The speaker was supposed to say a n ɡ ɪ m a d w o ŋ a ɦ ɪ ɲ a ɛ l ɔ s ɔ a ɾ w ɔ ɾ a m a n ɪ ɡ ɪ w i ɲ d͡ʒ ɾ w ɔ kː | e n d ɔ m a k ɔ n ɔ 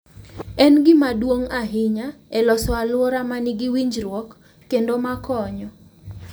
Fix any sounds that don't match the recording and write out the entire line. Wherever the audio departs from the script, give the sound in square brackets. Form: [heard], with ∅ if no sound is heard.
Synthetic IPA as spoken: [ɛ] n ɡ ɪ m a d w o ŋ a ɦ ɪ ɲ a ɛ l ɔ s ɔ a [l] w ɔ ɾ a m a n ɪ ɡ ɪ w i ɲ d͡ʒ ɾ w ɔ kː | e n d [o] m a k ɔ [ɲ] ɔ